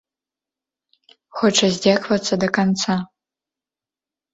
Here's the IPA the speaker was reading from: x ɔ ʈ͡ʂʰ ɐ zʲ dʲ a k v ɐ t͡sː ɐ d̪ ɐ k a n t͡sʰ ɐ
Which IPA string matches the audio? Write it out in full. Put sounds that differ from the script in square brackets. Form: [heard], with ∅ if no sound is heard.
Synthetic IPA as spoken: x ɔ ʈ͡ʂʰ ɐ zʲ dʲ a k v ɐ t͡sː ɐ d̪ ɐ k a n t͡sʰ [a]